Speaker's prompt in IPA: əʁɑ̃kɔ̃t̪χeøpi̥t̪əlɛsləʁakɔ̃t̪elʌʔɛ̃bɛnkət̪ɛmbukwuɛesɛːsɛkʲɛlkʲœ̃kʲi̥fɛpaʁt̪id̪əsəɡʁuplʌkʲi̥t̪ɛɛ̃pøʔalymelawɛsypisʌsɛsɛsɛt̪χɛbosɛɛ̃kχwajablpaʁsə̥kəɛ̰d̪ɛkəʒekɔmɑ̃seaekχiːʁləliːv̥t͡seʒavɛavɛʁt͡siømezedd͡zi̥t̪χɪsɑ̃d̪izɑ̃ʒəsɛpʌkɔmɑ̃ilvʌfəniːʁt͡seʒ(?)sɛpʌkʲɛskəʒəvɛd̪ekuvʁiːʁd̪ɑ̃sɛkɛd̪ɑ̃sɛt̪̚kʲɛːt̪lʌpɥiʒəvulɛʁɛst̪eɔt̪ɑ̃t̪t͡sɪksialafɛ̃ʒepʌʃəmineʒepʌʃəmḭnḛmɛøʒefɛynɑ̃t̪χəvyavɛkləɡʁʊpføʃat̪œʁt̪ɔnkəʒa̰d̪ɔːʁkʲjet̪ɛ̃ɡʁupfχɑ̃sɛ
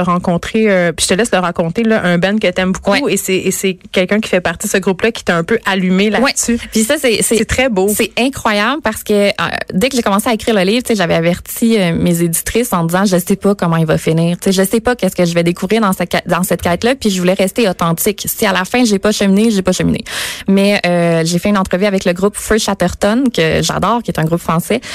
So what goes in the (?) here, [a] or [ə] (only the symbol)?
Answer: ə